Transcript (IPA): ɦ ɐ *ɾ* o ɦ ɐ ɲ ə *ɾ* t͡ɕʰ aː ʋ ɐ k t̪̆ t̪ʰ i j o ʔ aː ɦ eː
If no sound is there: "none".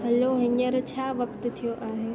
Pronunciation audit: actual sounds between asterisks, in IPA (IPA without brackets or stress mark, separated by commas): l, ɾ